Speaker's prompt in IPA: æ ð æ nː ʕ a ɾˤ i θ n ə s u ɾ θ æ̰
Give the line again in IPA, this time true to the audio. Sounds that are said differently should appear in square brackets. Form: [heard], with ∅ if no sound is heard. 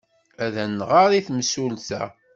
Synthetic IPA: æ ð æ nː [ʁ] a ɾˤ i θ [m] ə s u [l] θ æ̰